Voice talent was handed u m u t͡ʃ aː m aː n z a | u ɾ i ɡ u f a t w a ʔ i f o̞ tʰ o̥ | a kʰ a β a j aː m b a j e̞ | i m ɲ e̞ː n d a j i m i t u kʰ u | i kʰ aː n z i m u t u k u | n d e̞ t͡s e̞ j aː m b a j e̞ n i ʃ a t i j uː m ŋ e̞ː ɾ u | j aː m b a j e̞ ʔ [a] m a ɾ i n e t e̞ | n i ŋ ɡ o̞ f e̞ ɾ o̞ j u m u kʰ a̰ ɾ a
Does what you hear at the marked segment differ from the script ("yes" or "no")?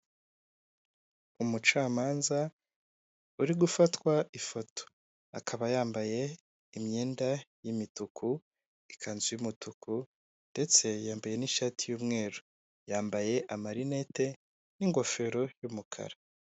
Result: no